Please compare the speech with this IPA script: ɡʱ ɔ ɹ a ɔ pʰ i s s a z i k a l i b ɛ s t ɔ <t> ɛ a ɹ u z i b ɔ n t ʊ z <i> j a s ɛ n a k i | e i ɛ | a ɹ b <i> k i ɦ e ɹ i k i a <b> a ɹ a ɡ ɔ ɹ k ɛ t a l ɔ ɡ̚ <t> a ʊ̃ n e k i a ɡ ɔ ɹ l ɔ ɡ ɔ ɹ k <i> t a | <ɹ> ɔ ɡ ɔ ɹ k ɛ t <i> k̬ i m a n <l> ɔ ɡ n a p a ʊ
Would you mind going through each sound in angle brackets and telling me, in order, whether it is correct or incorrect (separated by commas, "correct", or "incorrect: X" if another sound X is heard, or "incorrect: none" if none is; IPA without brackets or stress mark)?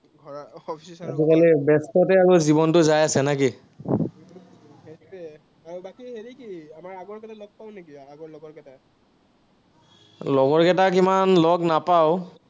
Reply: correct, incorrect: a, incorrect: a, incorrect: m, incorrect: p, incorrect: ɛ, incorrect: l, incorrect: a, correct